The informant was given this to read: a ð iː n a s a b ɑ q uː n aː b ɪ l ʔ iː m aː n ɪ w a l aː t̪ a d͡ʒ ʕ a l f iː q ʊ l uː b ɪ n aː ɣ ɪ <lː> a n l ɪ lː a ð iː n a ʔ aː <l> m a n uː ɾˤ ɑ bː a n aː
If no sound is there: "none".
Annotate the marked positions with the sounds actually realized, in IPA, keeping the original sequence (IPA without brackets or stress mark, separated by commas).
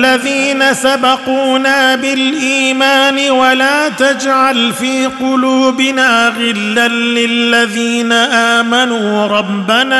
lː, none